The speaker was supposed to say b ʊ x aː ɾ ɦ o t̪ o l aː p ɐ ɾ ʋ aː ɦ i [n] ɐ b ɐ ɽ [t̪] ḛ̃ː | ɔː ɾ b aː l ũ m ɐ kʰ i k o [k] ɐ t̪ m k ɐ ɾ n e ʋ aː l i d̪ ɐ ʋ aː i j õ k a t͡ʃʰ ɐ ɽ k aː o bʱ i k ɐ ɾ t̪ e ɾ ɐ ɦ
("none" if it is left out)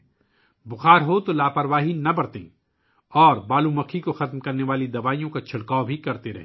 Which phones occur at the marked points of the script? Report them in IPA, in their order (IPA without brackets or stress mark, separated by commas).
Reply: n, t̪, x